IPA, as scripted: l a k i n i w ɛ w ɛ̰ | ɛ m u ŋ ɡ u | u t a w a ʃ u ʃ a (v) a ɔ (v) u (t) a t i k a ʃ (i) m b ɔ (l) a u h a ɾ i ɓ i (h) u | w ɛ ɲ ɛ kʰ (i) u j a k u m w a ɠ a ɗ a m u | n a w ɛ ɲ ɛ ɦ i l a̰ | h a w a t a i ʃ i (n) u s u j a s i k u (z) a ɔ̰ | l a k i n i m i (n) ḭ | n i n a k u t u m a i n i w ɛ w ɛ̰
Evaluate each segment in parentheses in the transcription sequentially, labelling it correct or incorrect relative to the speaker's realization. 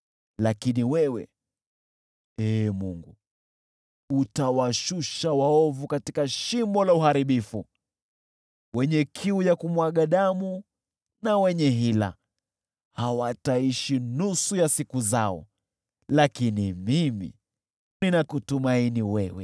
incorrect, correct, incorrect, correct, correct, incorrect, correct, correct, correct, incorrect

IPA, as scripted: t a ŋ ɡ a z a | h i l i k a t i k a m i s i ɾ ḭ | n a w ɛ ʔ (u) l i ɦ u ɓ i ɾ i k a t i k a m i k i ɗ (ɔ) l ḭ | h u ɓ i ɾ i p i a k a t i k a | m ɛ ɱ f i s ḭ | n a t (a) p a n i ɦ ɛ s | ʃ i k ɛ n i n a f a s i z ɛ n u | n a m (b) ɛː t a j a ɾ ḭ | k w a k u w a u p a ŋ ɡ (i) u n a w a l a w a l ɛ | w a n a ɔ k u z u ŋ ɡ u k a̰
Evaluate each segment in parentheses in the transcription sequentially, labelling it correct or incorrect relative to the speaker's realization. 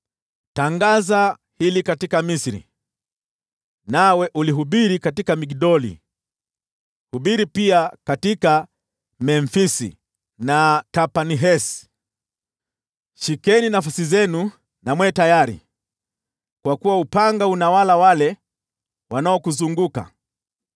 correct, correct, correct, incorrect, incorrect

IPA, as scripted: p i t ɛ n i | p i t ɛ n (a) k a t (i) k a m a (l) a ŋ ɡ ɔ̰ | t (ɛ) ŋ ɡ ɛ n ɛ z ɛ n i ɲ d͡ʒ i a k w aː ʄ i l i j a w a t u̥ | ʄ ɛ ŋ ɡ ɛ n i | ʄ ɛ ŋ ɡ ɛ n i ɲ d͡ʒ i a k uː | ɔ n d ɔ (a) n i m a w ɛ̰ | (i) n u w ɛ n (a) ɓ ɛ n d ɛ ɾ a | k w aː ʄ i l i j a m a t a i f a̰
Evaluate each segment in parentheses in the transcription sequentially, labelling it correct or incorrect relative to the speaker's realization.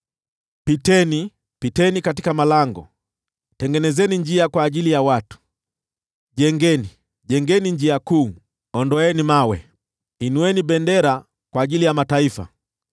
incorrect, correct, correct, correct, incorrect, correct, incorrect

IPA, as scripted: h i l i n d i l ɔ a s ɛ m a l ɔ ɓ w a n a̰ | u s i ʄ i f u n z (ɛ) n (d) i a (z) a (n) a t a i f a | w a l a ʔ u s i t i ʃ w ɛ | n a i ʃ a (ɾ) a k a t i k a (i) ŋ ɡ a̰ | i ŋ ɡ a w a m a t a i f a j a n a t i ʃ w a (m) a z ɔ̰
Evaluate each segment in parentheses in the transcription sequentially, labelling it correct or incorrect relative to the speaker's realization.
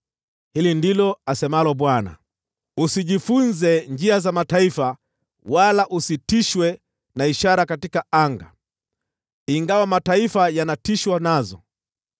correct, incorrect, correct, incorrect, correct, incorrect, incorrect

